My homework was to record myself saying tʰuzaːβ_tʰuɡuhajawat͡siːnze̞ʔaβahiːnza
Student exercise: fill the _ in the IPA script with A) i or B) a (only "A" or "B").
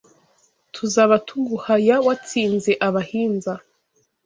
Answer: B